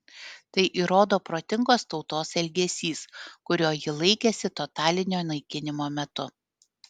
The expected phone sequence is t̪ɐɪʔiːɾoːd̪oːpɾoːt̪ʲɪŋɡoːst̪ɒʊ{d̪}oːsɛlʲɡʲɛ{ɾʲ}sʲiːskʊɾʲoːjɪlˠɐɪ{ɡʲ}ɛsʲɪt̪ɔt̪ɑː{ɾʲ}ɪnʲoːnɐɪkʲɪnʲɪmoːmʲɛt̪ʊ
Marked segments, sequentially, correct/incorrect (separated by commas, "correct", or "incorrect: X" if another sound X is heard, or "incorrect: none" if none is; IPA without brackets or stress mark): incorrect: t̪, incorrect: none, incorrect: kʲ, incorrect: lʲ